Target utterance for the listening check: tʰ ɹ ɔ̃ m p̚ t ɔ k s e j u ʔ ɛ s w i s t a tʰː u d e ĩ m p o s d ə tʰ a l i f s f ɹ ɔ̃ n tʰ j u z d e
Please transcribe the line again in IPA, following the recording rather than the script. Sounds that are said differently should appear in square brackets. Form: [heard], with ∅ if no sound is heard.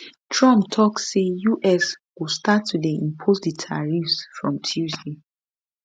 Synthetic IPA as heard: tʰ ɹ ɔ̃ m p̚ [tʰ] ɔ k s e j u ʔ ɛ s w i s t a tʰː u d e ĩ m [pʰ] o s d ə tʰ a [ɹ] i f s f ɹ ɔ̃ [m] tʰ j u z d e